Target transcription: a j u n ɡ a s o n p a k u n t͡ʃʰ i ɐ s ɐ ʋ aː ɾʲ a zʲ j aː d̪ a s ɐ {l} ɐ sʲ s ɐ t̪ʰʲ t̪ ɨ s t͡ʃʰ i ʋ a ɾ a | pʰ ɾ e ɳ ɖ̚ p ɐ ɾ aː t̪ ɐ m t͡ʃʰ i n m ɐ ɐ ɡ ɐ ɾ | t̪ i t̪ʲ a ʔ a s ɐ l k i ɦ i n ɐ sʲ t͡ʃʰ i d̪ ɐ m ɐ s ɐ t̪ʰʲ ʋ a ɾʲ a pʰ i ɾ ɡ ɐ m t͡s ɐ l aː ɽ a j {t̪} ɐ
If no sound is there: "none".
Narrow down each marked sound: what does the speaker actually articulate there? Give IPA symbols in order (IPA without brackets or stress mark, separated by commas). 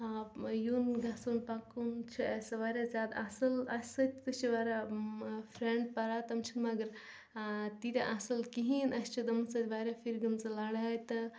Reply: l, t̪